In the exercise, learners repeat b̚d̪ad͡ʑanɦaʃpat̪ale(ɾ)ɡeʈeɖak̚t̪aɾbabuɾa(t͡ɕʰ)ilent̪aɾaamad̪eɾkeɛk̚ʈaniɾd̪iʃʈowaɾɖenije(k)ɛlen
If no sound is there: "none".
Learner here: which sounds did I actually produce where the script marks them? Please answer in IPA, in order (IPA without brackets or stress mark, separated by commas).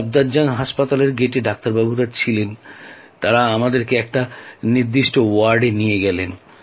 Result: ɾ, t͡ɕʰ, ɡ